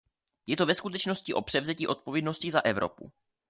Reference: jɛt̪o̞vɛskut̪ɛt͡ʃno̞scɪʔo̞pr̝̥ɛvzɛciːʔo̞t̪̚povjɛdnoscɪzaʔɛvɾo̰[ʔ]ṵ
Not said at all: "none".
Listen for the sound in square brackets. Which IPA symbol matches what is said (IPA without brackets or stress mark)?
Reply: p